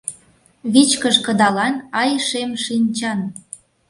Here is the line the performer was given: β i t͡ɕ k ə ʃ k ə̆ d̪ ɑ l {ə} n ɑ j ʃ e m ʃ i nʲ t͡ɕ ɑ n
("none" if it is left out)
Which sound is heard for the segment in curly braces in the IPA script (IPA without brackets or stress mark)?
ɑ